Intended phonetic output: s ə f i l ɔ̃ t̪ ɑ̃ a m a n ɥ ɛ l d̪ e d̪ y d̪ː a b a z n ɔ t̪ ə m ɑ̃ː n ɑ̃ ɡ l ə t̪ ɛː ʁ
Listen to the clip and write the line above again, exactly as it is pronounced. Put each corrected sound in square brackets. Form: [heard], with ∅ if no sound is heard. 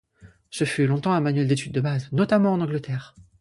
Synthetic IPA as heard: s ə f [y] l ɔ̃ t̪ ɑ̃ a m a n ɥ ɛ l d̪ e [t̪] y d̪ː [ə] b a z n ɔ t̪ [a] m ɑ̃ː n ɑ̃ ɡ l ə t̪ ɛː ʁ